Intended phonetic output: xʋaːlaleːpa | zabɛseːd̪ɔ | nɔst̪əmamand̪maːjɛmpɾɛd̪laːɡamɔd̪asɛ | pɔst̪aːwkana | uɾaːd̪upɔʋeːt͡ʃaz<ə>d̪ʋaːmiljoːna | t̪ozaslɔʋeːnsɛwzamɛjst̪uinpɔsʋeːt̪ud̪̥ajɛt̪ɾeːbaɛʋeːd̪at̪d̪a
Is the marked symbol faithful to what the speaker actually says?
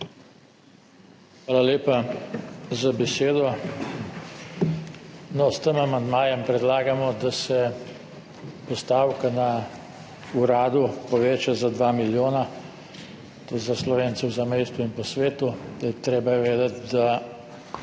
no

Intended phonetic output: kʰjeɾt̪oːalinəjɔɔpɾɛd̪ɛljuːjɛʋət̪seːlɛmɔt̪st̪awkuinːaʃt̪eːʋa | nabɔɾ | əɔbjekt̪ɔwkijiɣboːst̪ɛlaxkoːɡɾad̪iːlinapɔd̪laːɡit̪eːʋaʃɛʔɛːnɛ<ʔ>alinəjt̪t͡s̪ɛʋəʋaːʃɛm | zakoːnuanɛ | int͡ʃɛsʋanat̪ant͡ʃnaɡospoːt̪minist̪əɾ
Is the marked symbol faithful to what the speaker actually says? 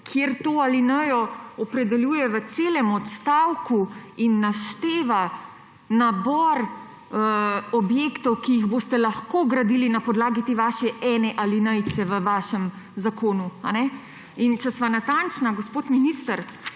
yes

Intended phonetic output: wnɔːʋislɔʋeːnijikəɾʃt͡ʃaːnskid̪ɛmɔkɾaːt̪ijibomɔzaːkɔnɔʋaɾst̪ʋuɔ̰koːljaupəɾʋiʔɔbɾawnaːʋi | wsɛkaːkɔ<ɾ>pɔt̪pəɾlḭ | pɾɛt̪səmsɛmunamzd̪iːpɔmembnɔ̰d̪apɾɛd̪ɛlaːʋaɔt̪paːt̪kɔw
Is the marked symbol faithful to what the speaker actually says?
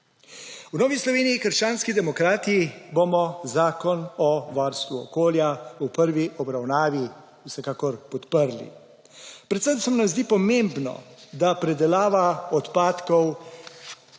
yes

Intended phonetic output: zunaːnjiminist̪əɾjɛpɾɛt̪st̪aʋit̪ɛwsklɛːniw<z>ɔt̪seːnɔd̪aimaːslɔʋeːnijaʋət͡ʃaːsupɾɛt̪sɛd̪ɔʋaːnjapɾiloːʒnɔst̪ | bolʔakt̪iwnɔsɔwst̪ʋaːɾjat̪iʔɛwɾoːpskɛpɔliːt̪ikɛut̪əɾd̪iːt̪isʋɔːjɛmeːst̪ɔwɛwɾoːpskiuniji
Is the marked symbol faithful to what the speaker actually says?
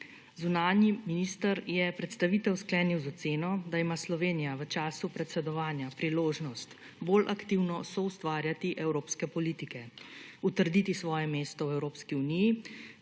yes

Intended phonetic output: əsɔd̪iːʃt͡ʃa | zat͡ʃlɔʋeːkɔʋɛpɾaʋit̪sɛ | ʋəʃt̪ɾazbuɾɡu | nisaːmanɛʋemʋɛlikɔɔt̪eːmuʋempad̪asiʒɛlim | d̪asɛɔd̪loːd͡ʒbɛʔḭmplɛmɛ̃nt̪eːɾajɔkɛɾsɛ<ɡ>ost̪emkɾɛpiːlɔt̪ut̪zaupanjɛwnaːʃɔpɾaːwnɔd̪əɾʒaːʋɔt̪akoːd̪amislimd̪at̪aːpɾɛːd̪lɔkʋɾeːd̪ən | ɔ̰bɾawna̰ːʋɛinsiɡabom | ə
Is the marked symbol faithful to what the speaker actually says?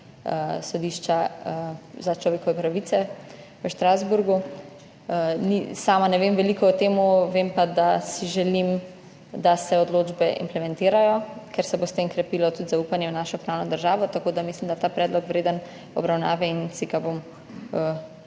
no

